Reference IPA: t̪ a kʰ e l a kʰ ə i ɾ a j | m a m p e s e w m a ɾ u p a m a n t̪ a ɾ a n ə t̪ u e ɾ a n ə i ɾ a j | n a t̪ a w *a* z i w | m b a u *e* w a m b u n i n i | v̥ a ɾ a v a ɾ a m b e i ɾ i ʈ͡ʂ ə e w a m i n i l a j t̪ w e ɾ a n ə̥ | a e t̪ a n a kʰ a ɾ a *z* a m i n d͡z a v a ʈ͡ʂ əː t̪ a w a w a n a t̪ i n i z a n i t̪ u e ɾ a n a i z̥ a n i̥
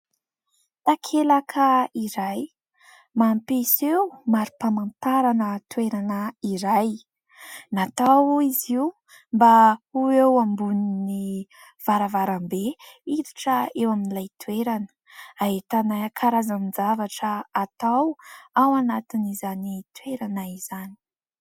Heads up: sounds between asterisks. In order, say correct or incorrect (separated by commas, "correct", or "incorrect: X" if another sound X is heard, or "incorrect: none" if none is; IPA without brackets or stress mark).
incorrect: i, correct, correct